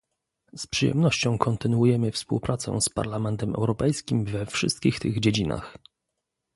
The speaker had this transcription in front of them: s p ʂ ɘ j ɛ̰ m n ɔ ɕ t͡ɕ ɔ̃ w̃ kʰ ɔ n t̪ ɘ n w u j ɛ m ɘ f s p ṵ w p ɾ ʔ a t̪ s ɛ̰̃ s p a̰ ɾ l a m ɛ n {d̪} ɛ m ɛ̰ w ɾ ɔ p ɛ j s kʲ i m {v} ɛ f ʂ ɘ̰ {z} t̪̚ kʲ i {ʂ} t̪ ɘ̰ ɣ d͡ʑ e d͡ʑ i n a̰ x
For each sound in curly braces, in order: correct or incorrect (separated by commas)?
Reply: incorrect, correct, incorrect, incorrect